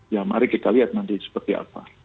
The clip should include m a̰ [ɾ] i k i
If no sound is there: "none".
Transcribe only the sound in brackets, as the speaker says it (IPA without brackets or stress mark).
ɾ